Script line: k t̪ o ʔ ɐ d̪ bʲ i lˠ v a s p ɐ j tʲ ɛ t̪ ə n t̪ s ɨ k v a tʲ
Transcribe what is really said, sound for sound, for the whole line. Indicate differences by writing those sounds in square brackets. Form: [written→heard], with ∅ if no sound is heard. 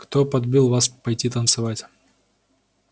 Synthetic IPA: k t̪ o [ʔ→p] ɐ d̪ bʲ i lˠ v a s p ɐ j tʲ [ɛ→i] t̪ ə n t̪ s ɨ [k→∅] v a tʲ